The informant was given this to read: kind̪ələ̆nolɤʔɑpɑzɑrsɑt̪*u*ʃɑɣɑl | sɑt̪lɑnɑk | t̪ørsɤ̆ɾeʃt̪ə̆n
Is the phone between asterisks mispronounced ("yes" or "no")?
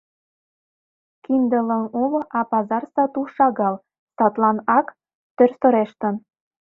no